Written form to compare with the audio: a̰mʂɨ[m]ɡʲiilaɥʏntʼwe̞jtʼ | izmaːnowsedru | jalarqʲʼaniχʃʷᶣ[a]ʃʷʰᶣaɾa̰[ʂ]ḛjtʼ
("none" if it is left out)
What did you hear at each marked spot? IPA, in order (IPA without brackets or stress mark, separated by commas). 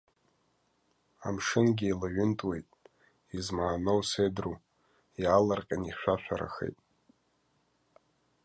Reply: n, a, x